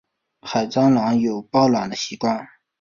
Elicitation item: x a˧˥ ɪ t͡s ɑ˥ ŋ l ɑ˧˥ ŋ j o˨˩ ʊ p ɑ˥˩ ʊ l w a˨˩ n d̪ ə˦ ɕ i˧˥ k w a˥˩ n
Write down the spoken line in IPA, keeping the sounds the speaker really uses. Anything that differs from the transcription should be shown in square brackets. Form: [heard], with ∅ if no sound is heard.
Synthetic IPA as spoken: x [a˨˩] ɪ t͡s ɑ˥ ŋ l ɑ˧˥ ŋ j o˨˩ ʊ p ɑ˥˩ ʊ l w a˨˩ n d̪ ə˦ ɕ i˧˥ k w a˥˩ n